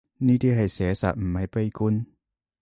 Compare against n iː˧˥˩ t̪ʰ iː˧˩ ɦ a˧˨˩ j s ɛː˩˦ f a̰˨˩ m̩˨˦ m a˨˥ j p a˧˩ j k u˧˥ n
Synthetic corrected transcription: n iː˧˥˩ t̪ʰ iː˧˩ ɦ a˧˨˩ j s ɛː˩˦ s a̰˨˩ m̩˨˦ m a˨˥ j p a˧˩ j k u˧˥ n